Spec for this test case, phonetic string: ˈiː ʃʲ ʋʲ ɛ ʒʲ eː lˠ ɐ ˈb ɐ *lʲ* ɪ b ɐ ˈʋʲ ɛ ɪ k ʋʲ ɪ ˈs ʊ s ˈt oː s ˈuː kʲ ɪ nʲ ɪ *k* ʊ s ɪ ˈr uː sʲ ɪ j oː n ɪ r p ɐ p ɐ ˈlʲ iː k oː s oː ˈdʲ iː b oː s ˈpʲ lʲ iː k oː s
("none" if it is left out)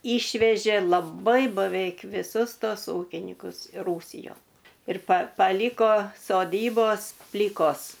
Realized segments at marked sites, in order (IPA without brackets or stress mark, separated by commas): none, k